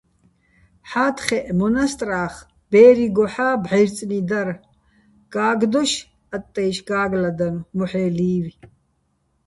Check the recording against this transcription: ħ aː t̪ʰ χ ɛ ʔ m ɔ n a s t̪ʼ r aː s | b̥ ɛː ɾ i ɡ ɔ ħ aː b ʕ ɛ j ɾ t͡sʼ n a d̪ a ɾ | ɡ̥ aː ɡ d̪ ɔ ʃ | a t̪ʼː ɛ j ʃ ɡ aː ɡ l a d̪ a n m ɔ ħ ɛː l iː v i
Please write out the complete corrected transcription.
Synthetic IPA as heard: ħ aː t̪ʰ χ ɛ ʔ m ɔ n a s t̪ʼ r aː χ | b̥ ɛː ɾ i ɡ ɔ ħ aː b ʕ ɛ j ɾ t͡sʼ n i d̪ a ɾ | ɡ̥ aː ɡ d̪ ɔ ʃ | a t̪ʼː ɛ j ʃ ɡ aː ɡ l a d̪ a n m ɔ ħ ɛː l iː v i